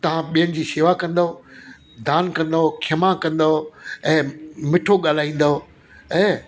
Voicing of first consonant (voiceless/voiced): voiceless